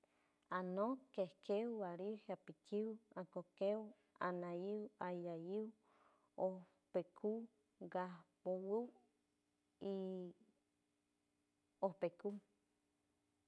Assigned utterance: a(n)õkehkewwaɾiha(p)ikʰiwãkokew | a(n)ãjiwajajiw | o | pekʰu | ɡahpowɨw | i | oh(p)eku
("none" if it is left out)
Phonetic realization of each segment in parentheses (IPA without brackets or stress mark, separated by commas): n, p, n, p